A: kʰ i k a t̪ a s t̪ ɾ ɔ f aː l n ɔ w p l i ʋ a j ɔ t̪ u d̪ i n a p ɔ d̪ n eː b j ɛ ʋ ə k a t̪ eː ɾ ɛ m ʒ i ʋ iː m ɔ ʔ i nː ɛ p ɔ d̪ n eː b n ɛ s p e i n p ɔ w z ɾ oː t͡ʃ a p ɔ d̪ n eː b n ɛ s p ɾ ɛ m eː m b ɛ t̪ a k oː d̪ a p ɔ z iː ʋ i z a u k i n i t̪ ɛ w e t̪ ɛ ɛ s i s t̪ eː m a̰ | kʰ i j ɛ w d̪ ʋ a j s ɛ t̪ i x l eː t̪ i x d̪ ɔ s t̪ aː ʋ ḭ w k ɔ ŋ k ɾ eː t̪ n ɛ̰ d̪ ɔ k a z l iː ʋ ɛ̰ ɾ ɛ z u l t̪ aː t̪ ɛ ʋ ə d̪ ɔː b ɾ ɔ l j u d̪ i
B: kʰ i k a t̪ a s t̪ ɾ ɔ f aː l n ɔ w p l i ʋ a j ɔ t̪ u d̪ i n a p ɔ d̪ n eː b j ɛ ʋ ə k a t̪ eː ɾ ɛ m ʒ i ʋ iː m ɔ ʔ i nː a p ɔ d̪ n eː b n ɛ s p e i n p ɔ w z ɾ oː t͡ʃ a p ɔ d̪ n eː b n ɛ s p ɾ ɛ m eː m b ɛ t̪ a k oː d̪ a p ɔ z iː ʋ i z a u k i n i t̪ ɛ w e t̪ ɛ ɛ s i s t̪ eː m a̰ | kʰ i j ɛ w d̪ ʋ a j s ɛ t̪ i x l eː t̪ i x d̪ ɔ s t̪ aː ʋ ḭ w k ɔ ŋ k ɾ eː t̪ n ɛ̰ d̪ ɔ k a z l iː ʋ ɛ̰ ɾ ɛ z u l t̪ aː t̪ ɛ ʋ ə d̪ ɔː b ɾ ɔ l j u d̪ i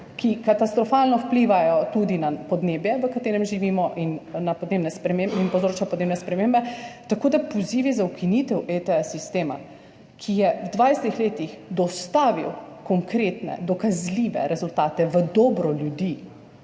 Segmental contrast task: B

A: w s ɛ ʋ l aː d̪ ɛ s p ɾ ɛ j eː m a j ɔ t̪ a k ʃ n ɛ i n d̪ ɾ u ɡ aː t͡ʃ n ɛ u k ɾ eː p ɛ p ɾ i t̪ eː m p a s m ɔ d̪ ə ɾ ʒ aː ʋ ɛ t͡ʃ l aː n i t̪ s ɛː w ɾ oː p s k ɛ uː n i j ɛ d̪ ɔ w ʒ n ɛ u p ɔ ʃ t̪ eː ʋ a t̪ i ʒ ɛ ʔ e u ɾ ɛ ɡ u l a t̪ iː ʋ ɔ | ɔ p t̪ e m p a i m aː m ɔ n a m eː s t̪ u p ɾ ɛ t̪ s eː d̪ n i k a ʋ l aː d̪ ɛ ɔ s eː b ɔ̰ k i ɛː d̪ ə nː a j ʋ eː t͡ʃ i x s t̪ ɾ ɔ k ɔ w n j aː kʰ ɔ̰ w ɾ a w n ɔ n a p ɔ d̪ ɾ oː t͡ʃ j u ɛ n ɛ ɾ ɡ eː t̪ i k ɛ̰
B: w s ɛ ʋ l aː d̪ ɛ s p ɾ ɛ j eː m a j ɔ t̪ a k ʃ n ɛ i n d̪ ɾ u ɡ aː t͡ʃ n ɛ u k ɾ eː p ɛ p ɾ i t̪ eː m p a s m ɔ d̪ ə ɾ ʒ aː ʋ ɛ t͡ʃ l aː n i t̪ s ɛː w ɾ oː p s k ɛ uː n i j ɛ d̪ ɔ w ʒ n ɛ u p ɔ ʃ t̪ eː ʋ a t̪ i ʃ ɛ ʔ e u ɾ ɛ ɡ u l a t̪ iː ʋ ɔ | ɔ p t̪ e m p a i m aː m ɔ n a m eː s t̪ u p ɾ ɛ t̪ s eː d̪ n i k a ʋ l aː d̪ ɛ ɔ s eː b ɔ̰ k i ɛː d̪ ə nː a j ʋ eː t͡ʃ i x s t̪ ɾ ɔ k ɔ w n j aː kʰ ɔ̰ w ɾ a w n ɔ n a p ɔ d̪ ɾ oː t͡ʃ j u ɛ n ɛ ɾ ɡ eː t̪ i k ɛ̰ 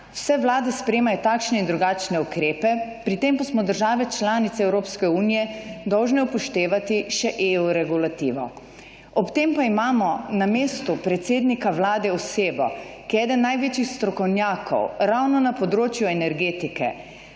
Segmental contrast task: B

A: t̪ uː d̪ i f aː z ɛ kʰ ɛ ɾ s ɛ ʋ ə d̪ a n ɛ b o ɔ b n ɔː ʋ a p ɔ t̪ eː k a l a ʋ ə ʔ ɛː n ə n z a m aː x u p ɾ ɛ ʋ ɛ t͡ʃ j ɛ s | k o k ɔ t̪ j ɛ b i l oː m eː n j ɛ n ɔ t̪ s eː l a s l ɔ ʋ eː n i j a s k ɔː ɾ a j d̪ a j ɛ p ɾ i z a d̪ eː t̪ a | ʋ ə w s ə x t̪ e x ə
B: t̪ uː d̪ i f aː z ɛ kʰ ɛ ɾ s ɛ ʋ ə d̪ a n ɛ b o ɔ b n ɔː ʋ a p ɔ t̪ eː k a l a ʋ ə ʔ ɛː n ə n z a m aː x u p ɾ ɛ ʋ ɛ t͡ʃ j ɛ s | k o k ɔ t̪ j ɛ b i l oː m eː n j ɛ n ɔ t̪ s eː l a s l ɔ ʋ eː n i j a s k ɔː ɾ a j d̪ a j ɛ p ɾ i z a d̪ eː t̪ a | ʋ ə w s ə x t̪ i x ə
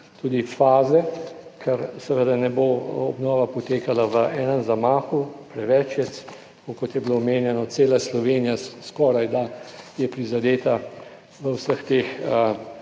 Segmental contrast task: A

